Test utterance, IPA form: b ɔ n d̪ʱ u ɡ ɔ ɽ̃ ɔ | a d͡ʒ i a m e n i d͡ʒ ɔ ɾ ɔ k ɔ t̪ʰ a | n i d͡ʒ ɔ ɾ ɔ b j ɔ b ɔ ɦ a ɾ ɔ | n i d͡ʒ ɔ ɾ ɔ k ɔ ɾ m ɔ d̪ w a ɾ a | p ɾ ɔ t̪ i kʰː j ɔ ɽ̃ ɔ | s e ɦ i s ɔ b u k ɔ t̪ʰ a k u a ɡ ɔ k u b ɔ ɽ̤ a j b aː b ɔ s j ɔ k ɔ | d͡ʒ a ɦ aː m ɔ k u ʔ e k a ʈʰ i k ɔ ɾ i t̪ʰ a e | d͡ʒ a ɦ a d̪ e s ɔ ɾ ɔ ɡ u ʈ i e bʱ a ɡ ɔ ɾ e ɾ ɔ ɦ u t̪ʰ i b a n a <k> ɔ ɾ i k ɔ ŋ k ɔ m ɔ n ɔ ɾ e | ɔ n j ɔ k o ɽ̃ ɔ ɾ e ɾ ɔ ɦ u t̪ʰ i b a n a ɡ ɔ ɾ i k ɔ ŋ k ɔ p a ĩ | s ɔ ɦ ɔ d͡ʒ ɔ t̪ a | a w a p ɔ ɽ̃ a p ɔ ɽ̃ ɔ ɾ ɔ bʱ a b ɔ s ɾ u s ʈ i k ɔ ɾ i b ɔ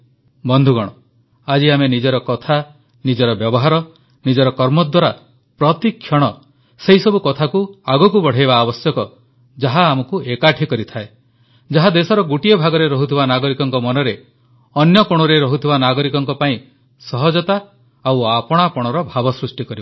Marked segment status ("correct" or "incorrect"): incorrect